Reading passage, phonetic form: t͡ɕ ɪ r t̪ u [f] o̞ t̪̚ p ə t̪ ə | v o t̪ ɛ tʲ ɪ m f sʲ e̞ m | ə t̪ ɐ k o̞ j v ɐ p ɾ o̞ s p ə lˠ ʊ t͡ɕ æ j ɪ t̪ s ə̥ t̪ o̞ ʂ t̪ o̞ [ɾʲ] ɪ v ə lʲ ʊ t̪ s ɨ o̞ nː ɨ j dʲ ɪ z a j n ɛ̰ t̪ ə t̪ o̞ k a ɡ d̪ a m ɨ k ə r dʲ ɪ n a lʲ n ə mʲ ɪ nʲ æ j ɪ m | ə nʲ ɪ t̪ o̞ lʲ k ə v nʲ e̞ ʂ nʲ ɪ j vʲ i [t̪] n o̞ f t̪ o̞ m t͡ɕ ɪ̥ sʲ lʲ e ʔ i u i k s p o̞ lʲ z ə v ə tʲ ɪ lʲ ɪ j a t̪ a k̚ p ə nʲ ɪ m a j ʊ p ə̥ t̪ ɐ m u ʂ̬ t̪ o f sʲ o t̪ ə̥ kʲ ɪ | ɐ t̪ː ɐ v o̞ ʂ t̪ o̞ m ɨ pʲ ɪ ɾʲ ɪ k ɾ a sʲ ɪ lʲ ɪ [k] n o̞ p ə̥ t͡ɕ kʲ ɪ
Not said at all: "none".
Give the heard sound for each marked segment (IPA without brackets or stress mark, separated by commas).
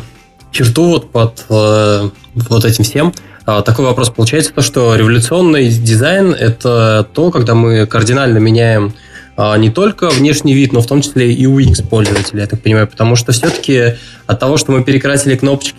v, ɾʲ, t̪, k